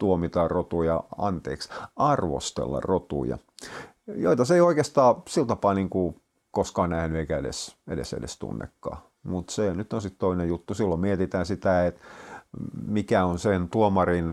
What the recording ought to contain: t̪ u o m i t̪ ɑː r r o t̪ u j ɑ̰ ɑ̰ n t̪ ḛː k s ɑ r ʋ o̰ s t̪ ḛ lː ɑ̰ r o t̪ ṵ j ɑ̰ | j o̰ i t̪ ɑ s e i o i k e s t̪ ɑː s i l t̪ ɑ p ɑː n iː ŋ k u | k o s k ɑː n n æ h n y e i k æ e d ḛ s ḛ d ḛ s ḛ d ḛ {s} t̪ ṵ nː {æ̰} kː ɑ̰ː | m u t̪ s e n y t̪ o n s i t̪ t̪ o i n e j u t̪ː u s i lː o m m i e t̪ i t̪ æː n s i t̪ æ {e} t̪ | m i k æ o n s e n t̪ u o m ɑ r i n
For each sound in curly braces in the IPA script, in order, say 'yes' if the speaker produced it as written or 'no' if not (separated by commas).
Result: yes, no, yes